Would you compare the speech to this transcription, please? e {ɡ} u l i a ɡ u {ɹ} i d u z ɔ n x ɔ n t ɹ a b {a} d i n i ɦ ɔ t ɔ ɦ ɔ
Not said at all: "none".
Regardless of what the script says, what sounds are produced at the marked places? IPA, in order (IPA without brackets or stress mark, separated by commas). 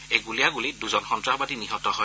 ɡ, l, a